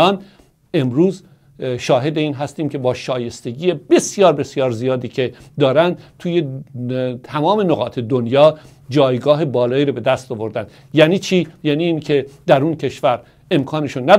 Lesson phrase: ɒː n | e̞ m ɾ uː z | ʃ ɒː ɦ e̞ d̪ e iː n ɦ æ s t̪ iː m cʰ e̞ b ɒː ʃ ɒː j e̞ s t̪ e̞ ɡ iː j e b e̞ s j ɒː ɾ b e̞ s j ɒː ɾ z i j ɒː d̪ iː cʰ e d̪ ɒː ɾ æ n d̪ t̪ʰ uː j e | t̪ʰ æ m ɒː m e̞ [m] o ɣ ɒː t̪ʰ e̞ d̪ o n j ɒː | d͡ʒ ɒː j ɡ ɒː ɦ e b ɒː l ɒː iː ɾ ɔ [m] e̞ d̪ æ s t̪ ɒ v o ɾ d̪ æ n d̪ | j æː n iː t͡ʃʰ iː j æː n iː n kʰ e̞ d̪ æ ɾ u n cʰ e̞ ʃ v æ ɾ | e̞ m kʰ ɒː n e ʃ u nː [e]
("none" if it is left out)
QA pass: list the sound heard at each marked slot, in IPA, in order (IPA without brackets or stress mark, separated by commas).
n, b, æ